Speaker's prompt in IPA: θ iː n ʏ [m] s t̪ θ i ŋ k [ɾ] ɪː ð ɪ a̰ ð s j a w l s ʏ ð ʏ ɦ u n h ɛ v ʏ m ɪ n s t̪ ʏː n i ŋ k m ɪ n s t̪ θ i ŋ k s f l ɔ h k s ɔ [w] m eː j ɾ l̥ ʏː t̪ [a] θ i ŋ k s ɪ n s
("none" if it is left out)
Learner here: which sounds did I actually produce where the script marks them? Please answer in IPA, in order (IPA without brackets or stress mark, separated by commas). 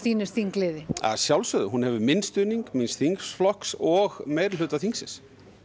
none, l, ɣ, a